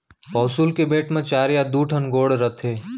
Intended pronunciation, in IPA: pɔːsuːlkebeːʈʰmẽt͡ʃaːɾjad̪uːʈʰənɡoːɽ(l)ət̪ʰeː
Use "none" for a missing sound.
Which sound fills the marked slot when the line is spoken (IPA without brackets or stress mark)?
ɾ